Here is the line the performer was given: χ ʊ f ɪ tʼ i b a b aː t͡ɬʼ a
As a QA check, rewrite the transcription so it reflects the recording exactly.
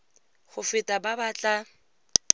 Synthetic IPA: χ ʊ f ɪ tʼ a b a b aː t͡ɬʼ a

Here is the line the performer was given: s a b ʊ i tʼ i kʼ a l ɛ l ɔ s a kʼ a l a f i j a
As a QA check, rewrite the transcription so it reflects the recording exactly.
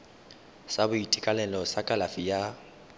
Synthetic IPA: s a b ʊ i tʼ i kʼ a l ɛ l ɔ s a kʼ a l a f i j a

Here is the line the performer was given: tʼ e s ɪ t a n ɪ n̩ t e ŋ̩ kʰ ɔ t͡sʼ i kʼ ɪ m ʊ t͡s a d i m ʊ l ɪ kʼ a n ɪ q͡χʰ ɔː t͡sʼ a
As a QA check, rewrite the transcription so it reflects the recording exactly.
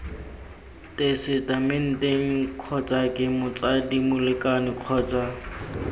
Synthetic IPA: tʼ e s ɪ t a m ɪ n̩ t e ŋ̩ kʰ ɔ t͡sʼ a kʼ ɪ m ʊ t͡s a d i m ʊ l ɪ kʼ a n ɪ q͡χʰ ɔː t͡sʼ a

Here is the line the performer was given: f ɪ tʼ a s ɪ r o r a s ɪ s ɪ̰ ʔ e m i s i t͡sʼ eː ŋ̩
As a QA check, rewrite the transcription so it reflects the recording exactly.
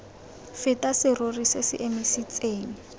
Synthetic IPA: f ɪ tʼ a s ɪ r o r i s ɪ s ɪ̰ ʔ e m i s i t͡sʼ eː ŋ̩

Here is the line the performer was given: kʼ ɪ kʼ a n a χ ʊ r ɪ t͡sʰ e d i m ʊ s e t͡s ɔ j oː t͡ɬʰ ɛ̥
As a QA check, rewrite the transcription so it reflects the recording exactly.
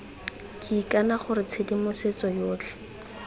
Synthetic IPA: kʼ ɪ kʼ a n a χ ʊ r ɪ t͡sʰ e d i m ʊ s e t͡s ɔ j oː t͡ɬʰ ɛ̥

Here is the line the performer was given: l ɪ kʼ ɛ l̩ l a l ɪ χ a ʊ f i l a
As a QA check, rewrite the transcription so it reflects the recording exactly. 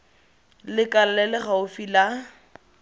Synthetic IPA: l ɪ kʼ a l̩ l ɛ l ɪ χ a ʊ f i l a

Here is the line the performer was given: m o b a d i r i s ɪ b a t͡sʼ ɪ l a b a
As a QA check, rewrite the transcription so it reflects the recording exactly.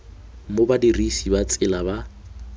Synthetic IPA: m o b a d i r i s i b a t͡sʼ ɪ l a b a

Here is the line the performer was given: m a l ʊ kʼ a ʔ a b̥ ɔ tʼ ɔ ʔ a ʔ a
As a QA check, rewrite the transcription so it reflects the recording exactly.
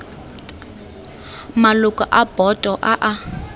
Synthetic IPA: m a l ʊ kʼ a ʔ a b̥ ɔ tʼ ɔ ʔ a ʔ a

